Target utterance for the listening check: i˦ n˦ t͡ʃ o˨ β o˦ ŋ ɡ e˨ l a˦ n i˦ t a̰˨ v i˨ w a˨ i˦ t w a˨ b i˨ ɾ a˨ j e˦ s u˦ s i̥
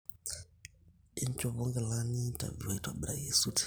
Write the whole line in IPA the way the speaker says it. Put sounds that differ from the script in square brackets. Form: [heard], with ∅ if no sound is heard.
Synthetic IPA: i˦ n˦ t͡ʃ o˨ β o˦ ŋ ɡ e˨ l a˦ n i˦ t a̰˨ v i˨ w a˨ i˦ t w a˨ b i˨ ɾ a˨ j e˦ s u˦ [t] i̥